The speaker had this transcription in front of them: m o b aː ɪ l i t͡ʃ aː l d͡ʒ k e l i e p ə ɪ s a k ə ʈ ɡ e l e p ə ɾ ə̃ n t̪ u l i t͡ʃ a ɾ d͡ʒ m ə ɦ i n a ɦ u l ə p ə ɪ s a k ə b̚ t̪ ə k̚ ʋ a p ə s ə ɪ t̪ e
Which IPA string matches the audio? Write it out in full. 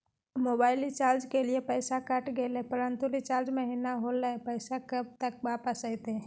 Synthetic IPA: m o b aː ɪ l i t͡ʃ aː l d͡ʒ k e l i e p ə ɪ s a k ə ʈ ɡ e l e p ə ɾ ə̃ n t̪ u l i t͡ʃ a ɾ d͡ʒ m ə ɦ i n a ɦ o l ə p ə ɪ s a k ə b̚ t̪ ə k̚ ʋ a p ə s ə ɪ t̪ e